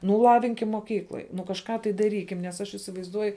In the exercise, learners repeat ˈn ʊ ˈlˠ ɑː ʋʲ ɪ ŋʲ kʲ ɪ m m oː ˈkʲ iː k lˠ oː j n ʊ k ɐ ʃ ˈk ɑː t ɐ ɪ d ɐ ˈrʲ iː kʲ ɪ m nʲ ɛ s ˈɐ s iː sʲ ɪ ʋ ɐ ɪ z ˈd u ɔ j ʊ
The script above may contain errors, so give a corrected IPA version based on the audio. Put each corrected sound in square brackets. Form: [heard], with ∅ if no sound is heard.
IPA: ˈn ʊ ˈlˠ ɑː ʋʲ ɪ ŋʲ kʲ ɪ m m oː ˈkʲ iː k lˠ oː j n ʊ k ɐ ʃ ˈk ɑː t ɐ ɪ d ɐ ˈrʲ iː kʲ ɪ m nʲ ɛ s ˈɐ [ʃ] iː sʲ ɪ ʋ ɐ ɪ z ˈd u ɔ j ʊ